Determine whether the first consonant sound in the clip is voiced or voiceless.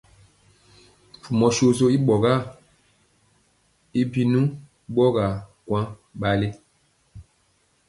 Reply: voiceless